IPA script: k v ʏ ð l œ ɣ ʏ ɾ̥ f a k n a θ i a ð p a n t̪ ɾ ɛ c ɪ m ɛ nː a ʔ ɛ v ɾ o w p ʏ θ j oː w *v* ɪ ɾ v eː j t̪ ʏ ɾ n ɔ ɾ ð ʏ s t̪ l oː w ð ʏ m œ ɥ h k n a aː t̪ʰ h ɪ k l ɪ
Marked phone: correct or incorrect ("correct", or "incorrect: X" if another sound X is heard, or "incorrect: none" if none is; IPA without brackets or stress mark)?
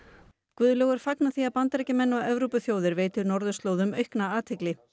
incorrect: ð